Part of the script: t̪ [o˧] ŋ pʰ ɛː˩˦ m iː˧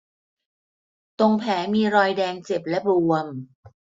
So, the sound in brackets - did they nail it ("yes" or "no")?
yes